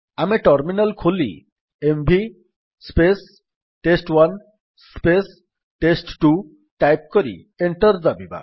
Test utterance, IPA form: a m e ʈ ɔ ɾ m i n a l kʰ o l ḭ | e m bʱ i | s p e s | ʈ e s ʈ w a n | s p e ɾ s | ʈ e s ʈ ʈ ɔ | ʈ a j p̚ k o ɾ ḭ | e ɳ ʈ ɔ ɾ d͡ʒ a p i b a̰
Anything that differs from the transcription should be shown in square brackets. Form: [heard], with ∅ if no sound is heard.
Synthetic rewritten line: a m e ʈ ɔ ɾ m i n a l kʰ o l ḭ | e m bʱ i | s p e s | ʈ e s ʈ w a n | s p e [∅] s | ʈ e s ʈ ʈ [u] | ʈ a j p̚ k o ɾ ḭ | e ɳ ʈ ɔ ɾ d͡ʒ a [b] i b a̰